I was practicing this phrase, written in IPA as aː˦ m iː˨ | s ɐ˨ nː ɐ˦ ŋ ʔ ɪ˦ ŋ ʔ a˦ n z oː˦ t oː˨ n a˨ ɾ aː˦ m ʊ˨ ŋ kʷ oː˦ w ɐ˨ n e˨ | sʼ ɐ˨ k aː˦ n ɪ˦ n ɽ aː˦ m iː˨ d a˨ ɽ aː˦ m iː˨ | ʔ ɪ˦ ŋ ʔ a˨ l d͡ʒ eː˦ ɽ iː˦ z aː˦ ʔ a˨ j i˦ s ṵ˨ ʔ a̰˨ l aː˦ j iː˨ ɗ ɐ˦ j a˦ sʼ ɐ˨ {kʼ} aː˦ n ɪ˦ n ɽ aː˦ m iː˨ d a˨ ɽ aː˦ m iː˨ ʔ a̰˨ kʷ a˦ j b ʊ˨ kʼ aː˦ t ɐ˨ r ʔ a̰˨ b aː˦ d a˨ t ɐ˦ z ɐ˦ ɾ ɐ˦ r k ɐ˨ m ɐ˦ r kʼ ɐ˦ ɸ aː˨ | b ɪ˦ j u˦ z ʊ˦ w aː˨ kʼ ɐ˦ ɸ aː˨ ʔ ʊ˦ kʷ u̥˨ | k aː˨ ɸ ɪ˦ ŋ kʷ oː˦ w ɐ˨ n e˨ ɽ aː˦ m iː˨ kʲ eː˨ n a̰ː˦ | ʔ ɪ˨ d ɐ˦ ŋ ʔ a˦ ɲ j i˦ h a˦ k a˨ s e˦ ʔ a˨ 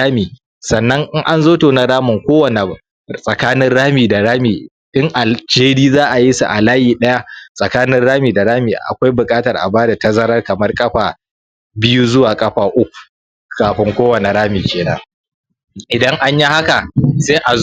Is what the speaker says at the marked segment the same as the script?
no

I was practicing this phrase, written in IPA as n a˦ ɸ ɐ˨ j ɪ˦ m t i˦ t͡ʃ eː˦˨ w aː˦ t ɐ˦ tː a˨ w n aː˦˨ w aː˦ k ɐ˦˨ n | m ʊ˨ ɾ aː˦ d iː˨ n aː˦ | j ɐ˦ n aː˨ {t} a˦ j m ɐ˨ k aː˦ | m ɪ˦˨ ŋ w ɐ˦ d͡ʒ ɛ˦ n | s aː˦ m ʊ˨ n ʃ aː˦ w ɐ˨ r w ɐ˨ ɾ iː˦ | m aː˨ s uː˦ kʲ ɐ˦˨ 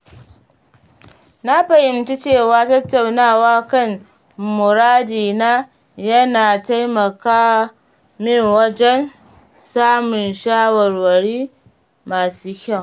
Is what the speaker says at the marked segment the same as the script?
yes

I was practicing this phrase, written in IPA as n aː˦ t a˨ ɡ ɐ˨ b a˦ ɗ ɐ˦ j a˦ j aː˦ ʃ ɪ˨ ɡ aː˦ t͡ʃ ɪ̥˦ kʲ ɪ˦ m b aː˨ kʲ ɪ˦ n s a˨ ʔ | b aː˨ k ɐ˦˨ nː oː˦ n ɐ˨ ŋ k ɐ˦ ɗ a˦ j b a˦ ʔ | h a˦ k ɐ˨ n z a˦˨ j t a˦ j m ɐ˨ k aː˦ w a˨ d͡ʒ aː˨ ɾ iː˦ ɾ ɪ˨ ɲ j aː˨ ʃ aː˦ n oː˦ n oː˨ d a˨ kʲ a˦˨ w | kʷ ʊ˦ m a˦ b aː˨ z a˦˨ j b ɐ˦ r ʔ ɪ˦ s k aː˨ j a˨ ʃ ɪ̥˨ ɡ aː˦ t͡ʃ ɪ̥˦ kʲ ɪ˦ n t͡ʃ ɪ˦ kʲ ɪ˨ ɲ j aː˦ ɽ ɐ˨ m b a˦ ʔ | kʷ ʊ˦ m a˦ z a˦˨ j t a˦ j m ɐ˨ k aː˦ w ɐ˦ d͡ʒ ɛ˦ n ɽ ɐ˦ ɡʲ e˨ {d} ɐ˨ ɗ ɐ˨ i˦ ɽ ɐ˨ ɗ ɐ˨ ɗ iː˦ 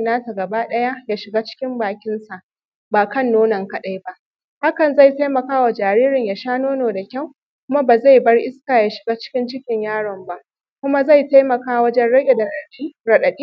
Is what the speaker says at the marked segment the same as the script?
yes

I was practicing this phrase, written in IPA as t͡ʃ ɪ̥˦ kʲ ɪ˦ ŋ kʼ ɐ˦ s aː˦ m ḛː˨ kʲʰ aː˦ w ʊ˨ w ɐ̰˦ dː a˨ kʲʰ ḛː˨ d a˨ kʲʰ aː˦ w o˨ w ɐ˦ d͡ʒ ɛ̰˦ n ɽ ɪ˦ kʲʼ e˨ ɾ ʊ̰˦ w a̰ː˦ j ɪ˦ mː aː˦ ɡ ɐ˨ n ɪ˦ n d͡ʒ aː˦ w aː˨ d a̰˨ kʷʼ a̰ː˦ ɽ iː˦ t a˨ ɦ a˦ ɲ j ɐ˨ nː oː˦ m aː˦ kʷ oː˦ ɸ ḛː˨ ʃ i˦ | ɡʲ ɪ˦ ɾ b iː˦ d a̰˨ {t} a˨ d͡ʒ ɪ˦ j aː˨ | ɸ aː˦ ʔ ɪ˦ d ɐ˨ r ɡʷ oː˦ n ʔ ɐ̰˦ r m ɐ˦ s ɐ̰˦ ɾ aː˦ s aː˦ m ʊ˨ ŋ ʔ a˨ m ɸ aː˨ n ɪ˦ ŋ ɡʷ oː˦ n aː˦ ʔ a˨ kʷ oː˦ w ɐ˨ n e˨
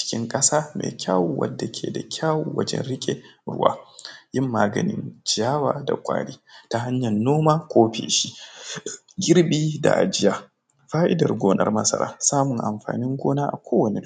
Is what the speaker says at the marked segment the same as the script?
no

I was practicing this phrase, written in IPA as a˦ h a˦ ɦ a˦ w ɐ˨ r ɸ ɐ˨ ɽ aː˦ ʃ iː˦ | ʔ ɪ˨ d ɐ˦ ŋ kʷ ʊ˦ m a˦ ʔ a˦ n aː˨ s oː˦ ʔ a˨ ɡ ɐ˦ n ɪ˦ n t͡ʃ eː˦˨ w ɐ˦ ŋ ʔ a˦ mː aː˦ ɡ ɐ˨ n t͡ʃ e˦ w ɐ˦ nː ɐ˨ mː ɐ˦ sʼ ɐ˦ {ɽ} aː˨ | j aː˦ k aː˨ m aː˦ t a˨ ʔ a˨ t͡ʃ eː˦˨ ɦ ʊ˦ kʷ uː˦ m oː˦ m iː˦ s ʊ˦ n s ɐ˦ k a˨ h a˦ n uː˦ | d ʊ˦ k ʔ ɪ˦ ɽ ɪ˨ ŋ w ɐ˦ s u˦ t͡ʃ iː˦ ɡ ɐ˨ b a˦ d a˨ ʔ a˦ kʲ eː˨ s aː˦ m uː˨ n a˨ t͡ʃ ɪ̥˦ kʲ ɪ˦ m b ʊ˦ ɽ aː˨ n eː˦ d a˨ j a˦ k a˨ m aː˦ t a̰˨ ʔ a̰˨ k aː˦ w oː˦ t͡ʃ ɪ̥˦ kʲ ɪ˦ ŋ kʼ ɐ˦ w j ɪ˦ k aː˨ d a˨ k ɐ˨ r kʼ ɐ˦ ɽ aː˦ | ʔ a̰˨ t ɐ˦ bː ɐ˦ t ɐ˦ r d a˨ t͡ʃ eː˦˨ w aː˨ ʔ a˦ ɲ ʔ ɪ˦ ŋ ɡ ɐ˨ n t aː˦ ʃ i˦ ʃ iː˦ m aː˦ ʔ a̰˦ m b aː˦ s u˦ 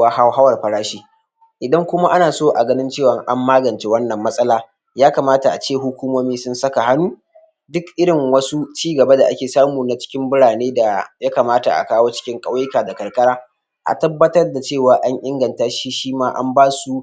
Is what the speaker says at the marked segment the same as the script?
no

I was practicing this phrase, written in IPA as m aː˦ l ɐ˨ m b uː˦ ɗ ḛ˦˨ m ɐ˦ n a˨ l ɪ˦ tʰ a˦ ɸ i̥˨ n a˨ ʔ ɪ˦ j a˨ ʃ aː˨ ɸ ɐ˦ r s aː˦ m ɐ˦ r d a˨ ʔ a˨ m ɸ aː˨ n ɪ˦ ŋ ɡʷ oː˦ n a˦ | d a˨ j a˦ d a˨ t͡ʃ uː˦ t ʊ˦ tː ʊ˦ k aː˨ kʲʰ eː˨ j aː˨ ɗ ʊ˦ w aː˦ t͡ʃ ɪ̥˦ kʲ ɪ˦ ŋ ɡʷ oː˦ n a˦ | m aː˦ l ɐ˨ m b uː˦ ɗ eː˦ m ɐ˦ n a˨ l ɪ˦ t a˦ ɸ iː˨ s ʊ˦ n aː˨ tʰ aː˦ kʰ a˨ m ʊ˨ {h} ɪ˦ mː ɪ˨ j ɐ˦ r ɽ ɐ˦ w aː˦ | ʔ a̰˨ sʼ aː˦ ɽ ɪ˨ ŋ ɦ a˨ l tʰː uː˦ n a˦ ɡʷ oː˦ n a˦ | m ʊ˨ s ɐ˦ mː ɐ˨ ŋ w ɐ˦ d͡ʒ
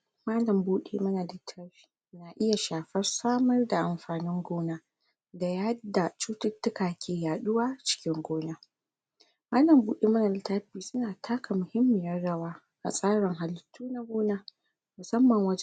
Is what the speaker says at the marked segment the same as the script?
yes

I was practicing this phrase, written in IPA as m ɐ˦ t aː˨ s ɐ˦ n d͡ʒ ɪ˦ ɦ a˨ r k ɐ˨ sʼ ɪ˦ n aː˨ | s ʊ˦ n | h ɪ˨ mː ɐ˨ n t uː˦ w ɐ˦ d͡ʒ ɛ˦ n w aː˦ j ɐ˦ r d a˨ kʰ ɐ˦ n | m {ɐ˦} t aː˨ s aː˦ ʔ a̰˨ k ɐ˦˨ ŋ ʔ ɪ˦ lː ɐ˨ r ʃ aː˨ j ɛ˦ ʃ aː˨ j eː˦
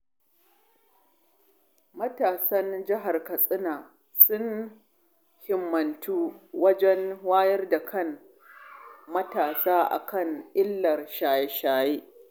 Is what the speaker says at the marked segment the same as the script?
yes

